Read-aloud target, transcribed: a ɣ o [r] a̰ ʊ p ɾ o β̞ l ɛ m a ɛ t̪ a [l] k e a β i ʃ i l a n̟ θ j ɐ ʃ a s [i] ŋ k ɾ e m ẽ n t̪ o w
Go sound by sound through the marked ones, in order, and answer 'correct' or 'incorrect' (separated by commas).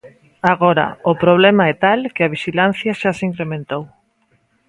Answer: incorrect, correct, correct